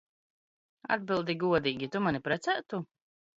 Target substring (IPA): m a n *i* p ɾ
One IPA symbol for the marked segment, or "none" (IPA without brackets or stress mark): i